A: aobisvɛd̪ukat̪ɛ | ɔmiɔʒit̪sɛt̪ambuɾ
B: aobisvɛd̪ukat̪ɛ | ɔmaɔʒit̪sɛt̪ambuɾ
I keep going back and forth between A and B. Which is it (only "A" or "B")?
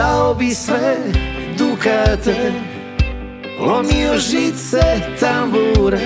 A